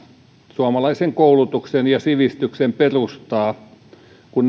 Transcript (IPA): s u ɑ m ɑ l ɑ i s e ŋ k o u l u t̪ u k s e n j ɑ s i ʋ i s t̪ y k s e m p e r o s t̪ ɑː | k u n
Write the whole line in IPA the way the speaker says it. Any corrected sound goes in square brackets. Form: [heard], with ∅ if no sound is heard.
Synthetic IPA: s u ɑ m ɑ l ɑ i s e ŋ k o u l u t̪ u k s e n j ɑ s i ʋ i s t̪ y k s e m p e r [u] s t̪ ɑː | k u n